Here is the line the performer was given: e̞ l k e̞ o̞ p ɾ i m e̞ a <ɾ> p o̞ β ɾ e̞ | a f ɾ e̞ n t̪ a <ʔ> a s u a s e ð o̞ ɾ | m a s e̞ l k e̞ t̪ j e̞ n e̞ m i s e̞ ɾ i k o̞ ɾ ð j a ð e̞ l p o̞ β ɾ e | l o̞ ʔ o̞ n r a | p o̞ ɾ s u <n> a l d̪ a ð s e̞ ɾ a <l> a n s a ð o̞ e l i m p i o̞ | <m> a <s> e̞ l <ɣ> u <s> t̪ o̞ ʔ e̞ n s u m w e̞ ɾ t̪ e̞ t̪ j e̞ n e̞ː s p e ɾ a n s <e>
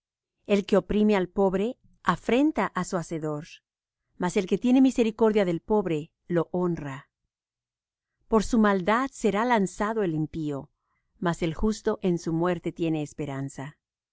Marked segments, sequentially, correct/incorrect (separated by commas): incorrect, correct, incorrect, correct, correct, correct, incorrect, correct, incorrect